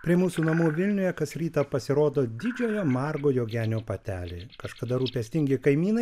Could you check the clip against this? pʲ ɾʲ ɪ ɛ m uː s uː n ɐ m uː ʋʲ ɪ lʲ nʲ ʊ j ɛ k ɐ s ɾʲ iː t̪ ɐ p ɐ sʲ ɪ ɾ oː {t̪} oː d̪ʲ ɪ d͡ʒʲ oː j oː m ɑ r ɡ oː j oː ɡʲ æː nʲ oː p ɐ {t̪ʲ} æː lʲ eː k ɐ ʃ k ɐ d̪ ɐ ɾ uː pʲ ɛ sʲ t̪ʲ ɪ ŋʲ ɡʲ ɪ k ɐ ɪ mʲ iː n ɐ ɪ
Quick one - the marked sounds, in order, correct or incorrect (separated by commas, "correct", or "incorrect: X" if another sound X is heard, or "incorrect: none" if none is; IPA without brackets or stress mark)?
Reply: incorrect: d̪, correct